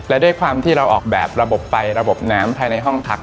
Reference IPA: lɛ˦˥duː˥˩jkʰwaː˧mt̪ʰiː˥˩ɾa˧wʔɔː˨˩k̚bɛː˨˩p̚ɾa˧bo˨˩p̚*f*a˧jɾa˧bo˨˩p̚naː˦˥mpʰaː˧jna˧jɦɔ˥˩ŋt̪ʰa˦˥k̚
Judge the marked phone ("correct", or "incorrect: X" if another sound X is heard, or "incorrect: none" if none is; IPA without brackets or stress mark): correct